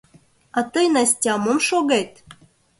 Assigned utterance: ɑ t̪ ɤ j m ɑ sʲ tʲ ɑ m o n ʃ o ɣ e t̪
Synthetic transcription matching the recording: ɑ t̪ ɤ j n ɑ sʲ tʲ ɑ m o m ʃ o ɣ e t̪